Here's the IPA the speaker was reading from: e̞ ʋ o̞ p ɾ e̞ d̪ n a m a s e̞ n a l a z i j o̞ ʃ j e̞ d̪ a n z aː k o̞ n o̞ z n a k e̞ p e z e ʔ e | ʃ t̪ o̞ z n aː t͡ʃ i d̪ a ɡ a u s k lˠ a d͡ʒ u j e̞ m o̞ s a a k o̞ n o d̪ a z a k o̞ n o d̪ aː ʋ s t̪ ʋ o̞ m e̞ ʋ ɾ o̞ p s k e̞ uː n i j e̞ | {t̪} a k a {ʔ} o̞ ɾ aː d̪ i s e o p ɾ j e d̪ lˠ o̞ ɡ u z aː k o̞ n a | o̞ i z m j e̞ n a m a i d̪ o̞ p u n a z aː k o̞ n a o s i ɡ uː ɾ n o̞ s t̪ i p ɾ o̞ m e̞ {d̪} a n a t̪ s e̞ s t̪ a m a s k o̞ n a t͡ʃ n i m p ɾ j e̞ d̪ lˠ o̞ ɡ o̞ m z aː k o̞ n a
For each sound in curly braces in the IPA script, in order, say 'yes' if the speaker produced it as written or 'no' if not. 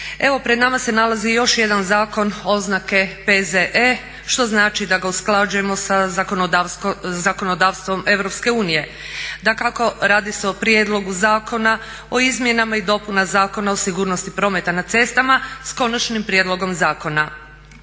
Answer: no, no, no

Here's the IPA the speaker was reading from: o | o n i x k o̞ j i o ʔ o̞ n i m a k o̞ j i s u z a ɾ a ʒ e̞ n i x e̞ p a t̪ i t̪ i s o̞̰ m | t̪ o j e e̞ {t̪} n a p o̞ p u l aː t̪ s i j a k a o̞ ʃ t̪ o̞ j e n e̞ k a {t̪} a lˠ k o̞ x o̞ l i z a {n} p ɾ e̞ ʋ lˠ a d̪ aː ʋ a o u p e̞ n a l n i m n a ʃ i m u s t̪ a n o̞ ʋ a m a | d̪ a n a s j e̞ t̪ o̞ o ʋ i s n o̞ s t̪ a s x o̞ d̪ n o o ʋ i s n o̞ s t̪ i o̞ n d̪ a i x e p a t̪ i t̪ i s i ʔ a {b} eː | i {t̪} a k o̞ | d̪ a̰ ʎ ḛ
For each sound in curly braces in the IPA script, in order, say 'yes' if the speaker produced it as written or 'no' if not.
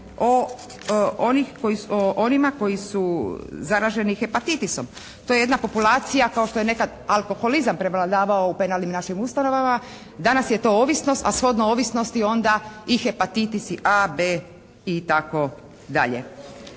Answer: no, no, no, yes, yes

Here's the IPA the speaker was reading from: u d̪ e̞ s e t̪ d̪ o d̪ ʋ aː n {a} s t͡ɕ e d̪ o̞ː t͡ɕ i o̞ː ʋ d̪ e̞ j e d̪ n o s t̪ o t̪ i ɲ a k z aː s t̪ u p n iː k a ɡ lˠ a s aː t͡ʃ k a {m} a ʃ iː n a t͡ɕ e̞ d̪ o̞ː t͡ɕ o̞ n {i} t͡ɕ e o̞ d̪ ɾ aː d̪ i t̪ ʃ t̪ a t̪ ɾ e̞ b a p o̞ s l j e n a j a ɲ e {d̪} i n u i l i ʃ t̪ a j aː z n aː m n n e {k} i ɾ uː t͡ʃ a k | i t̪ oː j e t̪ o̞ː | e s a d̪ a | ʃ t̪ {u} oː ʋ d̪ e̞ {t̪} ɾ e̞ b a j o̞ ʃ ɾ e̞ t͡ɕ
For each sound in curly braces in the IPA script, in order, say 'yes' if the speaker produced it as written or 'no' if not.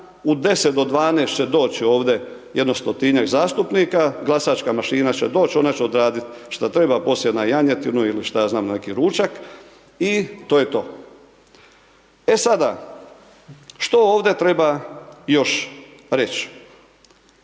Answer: no, yes, no, no, yes, no, yes

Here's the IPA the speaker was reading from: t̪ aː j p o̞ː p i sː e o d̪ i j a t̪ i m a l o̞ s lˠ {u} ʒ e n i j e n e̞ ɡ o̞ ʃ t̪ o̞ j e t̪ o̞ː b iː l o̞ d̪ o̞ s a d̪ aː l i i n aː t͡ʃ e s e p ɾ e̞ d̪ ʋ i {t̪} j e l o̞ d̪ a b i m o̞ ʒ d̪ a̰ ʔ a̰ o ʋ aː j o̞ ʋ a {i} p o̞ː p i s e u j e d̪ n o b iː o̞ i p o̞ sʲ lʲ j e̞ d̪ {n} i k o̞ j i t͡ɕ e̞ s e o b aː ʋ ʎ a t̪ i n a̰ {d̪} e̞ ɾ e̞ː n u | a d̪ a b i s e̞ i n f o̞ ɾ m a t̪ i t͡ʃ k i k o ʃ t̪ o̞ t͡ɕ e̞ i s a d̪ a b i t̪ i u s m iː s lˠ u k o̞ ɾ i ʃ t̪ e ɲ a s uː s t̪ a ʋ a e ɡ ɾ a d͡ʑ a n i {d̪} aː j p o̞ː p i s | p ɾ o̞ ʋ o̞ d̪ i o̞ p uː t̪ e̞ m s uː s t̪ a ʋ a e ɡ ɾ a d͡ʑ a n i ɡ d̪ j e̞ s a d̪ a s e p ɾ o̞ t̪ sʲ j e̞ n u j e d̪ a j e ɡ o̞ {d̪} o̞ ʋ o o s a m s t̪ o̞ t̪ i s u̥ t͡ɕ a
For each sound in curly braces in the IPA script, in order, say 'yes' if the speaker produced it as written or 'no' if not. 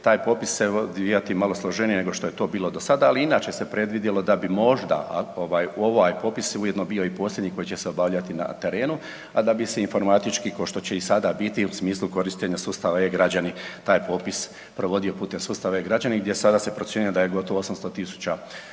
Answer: no, no, no, no, no, no, no

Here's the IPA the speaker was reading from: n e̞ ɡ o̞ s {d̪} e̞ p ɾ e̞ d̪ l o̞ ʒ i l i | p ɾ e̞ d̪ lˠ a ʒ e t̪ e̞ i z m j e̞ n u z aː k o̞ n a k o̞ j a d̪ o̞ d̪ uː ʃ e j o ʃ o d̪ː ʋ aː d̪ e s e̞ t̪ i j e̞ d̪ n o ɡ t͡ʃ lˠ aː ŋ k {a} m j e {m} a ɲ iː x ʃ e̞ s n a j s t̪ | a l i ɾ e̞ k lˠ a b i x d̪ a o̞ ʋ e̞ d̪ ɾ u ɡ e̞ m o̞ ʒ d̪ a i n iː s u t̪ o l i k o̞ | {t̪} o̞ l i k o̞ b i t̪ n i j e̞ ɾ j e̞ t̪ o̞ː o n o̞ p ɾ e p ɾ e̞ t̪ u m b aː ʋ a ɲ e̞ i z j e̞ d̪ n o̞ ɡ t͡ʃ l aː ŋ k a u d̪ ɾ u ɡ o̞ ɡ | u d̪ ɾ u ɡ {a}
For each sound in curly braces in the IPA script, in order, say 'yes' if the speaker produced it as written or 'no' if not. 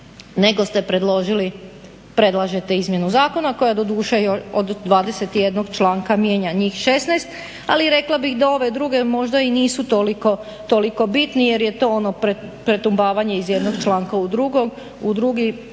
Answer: no, yes, no, yes, no

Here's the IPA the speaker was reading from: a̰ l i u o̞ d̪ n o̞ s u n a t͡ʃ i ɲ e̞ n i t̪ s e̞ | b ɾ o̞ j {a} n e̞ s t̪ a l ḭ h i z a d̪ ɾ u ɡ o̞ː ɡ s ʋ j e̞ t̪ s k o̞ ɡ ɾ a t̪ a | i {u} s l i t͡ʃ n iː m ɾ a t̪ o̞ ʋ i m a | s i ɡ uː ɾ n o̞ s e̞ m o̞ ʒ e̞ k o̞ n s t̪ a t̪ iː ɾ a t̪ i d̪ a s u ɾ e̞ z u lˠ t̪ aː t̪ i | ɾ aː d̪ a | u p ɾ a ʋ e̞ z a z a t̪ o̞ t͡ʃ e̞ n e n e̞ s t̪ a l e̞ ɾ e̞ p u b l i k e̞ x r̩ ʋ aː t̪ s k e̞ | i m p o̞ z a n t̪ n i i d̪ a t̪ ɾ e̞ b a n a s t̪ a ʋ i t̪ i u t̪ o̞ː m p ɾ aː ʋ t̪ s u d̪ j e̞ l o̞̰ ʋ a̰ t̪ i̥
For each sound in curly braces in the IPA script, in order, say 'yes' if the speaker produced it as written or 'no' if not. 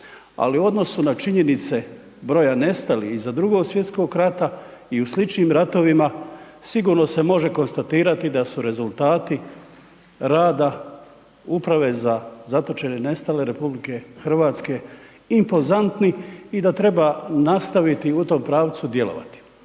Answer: yes, yes

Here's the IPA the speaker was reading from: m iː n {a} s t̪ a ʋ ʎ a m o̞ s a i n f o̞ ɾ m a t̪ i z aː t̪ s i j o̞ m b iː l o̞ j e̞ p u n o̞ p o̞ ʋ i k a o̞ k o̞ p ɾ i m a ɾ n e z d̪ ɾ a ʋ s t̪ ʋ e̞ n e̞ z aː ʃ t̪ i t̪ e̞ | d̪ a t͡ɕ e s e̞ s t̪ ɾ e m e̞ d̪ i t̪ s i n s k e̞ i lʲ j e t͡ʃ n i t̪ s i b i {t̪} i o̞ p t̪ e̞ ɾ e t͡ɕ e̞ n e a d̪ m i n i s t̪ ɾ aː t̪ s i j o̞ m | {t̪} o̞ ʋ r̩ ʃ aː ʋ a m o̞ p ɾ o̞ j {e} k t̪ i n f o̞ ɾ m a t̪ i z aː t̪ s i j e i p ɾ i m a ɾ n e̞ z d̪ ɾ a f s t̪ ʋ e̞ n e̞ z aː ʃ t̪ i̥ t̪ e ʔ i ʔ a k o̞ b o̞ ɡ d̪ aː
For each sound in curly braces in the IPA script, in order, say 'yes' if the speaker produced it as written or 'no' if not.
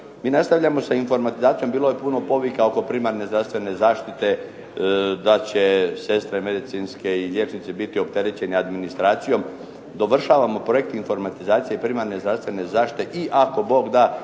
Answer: yes, yes, no, yes

